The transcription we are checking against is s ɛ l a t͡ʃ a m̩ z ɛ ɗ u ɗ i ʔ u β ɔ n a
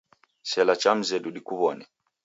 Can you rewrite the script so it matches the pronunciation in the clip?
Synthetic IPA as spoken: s ɛ l a t͡ʃ a m̩ z ɛ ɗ u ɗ i k u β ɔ n ɛ